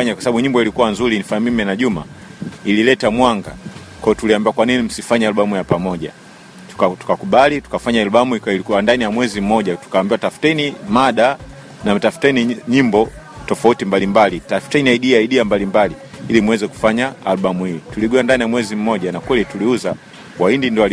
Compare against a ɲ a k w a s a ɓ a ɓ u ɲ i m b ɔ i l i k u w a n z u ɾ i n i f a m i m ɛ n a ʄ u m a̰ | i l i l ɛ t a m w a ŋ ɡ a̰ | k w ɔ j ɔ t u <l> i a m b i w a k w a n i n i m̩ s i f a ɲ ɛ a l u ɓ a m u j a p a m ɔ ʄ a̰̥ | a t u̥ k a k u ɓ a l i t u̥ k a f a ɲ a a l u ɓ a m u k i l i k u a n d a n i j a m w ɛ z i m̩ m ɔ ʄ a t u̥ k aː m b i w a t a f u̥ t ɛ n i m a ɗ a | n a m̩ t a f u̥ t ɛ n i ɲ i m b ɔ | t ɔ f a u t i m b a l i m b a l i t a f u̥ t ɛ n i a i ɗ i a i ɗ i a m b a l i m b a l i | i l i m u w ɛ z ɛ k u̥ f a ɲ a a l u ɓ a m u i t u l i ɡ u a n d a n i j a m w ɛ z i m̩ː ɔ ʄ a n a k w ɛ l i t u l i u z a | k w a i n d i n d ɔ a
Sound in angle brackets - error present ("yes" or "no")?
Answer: no